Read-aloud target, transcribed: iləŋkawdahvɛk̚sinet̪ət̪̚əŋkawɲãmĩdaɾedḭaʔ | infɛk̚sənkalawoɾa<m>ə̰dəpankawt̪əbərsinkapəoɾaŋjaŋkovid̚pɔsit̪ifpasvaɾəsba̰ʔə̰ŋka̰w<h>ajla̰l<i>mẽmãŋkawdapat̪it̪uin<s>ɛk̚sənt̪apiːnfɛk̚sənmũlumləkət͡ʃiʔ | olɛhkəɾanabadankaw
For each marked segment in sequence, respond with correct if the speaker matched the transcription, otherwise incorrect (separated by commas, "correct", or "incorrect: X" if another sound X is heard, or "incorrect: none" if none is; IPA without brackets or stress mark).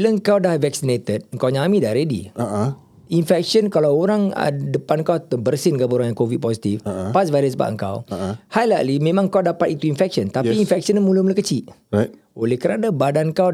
incorrect: ŋ, correct, correct, incorrect: f